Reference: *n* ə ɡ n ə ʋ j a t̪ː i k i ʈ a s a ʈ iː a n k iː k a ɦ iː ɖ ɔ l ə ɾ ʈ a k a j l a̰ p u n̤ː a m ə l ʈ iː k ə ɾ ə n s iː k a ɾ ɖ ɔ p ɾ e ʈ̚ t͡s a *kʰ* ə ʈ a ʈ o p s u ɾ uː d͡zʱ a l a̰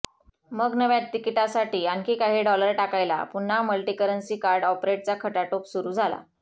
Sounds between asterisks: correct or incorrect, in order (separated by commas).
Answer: incorrect, correct